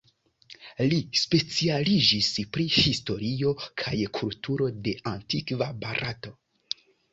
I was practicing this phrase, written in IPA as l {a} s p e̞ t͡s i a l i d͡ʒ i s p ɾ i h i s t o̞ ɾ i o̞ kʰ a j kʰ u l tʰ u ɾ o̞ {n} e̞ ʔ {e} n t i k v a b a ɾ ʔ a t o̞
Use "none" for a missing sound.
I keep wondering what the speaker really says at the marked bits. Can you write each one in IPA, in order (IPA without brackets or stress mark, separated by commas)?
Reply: i, d, a